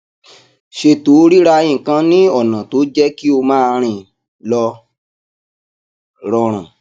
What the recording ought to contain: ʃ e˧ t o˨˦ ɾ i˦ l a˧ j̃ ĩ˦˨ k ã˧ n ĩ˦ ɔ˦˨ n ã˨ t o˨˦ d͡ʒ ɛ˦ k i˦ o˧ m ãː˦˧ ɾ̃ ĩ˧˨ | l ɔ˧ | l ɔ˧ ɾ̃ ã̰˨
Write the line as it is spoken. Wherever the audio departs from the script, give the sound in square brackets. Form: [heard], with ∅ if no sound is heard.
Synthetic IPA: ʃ e˧ t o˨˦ ɾ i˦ [ɾ] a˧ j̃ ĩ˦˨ k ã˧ n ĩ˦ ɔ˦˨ n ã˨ t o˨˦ d͡ʒ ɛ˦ k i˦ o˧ m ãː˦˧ ɾ̃ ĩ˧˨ | l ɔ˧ | [ɾ] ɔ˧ ɾ̃ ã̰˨